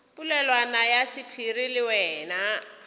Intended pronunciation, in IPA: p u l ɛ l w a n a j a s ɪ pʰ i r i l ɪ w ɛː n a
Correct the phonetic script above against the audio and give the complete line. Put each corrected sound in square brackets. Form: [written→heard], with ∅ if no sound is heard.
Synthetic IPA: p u l ɛ l w a n a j a s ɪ pʰ i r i l ɪ w ɛː n a